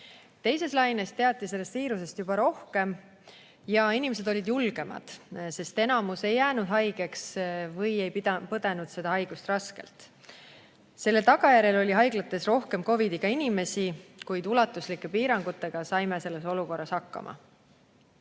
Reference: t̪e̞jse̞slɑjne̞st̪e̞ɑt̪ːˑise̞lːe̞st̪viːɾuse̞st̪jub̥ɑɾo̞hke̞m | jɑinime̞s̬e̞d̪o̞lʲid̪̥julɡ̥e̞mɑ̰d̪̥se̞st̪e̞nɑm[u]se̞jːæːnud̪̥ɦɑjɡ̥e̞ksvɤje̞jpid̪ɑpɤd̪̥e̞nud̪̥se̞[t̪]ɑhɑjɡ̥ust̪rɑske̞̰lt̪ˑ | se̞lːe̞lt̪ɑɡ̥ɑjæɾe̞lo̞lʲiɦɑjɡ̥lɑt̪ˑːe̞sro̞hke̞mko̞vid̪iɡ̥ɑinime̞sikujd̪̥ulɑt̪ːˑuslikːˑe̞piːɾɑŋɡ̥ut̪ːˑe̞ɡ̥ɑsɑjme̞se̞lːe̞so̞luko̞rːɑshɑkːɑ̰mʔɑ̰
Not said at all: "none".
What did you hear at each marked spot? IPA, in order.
u, d̪

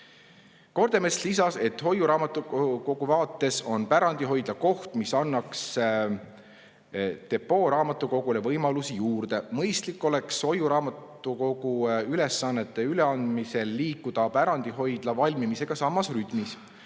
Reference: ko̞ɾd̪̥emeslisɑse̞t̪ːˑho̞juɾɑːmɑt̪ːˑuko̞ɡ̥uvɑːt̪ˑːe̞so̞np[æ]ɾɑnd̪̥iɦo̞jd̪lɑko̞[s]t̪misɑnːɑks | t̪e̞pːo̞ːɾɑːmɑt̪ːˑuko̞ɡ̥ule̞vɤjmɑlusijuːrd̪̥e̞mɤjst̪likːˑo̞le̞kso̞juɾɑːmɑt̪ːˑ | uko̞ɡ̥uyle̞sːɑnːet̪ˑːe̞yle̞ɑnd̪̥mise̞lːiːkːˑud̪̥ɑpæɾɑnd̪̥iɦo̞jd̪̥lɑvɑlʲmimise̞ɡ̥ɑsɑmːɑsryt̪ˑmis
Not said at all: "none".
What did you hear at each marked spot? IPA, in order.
æ, h

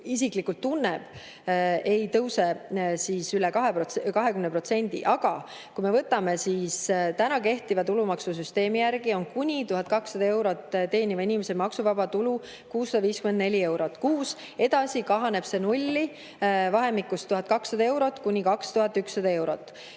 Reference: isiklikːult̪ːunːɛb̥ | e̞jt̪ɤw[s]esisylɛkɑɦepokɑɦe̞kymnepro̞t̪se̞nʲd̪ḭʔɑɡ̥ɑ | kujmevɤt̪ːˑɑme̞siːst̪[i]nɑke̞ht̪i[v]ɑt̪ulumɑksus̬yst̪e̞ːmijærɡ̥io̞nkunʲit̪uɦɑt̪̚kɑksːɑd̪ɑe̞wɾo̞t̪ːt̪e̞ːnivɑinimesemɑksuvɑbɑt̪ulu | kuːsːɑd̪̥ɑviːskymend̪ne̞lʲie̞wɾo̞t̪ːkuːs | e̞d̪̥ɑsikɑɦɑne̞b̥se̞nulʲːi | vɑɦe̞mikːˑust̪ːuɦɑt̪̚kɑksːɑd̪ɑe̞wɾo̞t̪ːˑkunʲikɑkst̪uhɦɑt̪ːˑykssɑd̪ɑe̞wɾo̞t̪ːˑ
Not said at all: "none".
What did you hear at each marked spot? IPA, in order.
s, æ, v

